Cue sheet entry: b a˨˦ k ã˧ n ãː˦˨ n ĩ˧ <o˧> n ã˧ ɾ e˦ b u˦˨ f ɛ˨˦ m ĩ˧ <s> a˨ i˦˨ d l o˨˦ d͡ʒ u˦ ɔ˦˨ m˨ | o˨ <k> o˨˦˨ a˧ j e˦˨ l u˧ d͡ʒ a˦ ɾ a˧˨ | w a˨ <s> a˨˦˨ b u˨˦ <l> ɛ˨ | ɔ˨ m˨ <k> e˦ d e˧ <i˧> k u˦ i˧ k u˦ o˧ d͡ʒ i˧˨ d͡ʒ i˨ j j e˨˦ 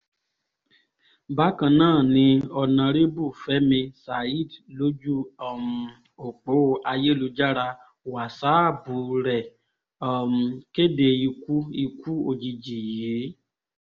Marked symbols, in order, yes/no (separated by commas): no, yes, no, yes, no, yes, yes